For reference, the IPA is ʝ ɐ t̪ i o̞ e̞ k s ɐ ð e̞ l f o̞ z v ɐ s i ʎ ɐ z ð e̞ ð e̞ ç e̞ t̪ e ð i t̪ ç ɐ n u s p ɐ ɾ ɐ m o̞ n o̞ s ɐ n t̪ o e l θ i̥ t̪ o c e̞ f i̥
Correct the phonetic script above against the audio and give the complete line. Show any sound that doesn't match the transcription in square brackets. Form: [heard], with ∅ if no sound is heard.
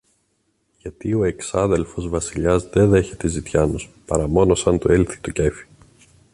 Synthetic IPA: ʝ ɐ t̪ i o̞ e̞ k s ɐ ð e̞ l f o̞ z v ɐ s i ʎ ɐ z ð e̞ ð e̞ ç e̞ t̪ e [z] i t̪ ç ɐ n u s p ɐ ɾ ɐ m o̞ n o̞ s ɐ n t̪ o e l θ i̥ t̪ o c e̞ f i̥